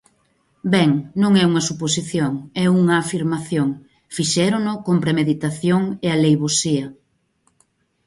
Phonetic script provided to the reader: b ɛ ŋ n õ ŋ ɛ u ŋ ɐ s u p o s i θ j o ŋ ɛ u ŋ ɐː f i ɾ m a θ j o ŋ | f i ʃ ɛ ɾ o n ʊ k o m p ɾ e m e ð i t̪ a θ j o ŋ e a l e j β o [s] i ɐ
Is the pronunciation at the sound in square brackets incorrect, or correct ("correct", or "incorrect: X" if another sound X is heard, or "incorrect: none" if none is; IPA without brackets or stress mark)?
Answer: correct